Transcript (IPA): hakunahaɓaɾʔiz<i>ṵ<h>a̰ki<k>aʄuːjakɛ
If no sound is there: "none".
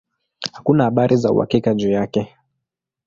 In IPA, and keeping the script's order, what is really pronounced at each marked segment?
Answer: a, h, k

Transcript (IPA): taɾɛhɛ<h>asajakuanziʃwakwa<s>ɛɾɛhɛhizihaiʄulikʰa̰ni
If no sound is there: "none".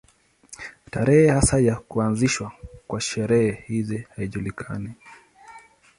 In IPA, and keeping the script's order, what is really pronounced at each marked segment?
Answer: h, ʃ

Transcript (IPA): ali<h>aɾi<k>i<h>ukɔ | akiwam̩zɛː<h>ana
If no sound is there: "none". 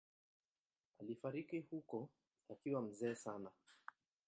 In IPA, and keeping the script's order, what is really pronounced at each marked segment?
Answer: f, k, h, s

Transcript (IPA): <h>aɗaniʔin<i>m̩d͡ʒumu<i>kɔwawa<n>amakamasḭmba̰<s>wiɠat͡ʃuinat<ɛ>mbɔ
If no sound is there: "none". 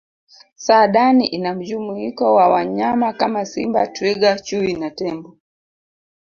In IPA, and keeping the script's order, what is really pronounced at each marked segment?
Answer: s, a, i, ɲ, t, ɛ

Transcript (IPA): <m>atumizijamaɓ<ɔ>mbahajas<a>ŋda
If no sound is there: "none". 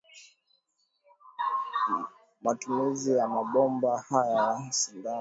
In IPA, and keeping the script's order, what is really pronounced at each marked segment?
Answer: m, ɔ, i

